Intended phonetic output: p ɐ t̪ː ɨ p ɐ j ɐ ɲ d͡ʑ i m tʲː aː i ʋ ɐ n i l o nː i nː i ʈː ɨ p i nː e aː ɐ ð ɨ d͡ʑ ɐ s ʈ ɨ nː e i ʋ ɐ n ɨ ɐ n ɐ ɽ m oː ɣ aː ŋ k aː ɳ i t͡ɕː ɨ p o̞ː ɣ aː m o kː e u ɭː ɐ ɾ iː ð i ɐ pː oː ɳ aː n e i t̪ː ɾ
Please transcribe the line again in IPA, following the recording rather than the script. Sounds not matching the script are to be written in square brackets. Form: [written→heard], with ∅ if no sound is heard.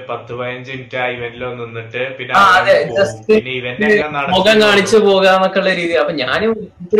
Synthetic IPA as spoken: p ɐ t̪ː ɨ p ɐ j ɐ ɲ d͡ʑ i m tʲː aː i ʋ ɐ n i l o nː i nː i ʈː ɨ p i nː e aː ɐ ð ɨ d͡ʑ ɐ s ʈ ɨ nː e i ʋ ɐ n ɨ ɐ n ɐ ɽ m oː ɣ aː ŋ k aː ɳ i t͡ɕː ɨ p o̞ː ɣ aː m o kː e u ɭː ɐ ɾ iː ð i ɐ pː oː [ɳ→ɲ] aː n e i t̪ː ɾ